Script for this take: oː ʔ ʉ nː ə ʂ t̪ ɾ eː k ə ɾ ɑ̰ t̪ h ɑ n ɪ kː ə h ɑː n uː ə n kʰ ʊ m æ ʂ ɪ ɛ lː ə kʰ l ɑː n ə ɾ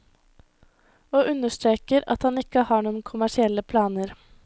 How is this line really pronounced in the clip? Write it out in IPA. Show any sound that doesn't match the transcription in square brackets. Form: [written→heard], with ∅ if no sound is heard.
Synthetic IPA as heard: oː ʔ ʉ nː ə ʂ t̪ ɾ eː k ə ɾ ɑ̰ t̪ h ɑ n ɪ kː ə h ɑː [n→ɳ] uː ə n kʰ ʊ m æ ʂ ɪ ɛ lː ə [kʰ→pʰ] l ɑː n ə ɾ